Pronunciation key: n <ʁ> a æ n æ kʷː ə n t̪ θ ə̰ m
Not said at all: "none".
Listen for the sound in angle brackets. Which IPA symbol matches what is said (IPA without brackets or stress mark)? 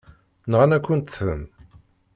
ʁ